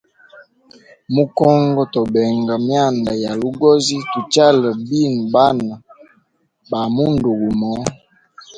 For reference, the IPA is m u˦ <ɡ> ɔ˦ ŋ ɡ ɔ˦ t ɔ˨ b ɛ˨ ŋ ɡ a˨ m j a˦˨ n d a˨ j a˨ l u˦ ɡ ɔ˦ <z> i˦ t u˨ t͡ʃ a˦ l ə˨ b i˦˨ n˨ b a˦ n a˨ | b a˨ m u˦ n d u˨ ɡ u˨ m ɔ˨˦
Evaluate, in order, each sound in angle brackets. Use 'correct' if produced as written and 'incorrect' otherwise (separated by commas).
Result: incorrect, correct